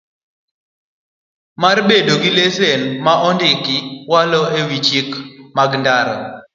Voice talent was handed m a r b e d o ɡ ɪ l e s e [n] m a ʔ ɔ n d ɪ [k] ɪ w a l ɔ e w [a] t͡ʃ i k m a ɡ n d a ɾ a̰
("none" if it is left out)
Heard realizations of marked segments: n, k, i

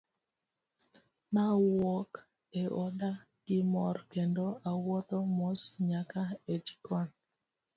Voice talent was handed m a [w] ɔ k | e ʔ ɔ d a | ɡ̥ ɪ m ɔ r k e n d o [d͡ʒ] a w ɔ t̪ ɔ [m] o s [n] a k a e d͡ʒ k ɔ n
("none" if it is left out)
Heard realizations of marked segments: w, none, m, ɲ

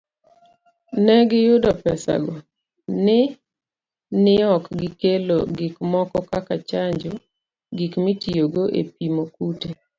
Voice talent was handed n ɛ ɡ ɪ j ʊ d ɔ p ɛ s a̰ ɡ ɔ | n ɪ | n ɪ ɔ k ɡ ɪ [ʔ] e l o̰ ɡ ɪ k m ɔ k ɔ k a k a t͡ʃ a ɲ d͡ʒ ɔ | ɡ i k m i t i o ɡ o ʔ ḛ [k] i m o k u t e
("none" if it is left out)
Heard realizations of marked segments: k, p

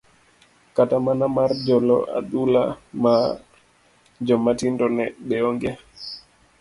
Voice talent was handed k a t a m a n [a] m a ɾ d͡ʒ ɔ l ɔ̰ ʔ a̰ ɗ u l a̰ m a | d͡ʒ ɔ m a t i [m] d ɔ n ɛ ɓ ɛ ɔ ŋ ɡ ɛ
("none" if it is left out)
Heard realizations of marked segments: a, n

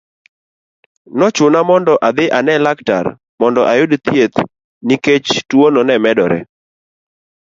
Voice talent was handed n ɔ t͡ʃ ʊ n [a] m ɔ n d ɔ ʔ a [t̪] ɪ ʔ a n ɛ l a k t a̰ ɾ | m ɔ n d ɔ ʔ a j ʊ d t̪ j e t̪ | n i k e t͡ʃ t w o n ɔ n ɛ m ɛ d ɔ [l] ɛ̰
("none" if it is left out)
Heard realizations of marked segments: a, d̪, ɾ

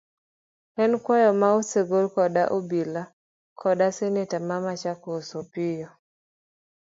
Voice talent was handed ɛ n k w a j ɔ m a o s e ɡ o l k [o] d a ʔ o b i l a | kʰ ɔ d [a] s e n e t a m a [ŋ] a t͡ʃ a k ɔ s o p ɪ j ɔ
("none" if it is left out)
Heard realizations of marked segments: ɔ, a, m

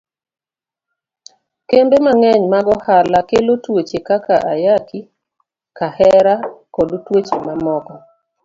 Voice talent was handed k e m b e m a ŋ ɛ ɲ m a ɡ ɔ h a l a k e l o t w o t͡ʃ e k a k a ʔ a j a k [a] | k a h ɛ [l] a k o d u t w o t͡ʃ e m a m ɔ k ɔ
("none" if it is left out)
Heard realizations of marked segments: i, ɾ

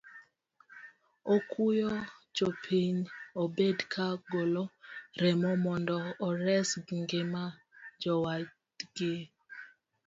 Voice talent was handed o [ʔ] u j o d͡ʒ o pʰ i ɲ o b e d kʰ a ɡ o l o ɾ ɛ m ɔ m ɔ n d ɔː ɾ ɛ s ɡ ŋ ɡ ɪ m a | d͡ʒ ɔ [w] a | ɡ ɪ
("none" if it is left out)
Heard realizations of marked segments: k, w

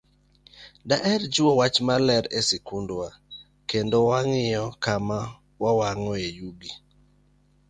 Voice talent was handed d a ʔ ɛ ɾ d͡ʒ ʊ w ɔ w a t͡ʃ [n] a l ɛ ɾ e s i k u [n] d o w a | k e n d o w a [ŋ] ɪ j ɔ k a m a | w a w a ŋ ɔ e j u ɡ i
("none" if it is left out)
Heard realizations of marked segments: m, n, ŋ

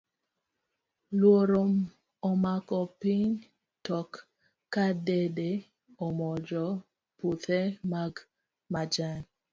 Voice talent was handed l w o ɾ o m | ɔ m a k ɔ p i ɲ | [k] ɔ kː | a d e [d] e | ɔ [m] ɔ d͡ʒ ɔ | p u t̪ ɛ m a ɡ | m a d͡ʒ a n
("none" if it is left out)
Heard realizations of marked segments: t, d, m

